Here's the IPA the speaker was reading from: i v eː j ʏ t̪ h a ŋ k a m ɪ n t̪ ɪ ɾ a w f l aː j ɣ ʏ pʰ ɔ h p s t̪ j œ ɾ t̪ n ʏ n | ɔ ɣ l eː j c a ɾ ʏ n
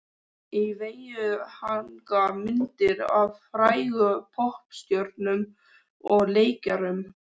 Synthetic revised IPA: i v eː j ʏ h a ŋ k a m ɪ n t̪ ɪ ɾ a v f ɾ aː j ɣ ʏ pʰ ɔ h p s t̪ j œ ɾ t̪ n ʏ m | ɔ ɣ l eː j c a ɾ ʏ m